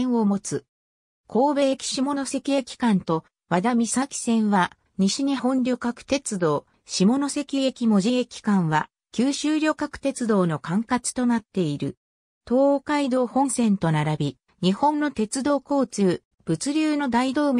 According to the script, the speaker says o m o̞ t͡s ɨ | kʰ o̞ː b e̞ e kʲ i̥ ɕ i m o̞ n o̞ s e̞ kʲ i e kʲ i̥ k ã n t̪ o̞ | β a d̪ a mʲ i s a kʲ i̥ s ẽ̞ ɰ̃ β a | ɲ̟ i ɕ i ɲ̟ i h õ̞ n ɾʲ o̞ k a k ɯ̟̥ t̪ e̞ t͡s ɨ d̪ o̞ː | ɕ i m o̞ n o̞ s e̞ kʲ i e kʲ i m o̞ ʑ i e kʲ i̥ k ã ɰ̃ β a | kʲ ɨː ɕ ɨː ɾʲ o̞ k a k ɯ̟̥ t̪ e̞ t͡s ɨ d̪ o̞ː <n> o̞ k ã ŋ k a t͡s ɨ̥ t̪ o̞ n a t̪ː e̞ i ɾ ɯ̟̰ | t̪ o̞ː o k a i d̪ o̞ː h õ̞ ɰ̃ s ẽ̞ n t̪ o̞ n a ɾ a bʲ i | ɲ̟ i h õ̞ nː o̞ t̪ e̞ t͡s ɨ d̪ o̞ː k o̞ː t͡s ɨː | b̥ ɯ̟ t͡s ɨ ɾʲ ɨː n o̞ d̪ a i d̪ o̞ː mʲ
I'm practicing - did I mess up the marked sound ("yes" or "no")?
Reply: no